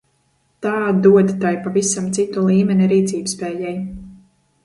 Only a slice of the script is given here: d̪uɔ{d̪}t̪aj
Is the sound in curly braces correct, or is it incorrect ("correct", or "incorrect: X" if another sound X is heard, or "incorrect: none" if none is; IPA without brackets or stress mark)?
correct